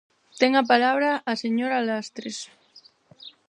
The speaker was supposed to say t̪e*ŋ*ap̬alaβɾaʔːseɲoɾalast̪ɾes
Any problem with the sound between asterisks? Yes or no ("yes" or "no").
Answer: no